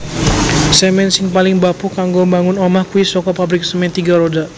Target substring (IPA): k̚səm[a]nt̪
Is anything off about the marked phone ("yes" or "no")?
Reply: yes